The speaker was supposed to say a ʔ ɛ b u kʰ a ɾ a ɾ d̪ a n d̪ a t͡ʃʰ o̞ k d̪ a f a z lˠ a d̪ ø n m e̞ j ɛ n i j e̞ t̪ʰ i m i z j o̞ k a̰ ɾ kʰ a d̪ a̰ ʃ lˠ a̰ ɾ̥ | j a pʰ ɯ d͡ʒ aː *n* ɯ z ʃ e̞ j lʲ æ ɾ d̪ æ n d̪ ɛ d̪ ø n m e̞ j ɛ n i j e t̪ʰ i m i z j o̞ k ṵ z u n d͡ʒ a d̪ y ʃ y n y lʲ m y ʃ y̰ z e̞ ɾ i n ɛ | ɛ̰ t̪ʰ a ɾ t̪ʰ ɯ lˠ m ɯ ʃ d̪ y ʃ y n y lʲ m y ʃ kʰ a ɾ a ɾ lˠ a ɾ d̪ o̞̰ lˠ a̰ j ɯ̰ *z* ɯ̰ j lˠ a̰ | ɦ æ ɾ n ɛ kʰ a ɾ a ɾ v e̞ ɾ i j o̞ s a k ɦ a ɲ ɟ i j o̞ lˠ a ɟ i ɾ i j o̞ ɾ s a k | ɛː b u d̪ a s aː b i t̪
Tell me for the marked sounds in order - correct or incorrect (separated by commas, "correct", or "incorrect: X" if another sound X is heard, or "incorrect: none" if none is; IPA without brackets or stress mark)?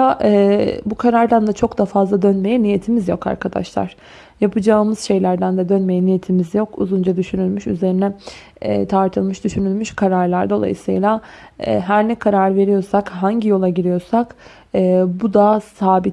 incorrect: m, incorrect: s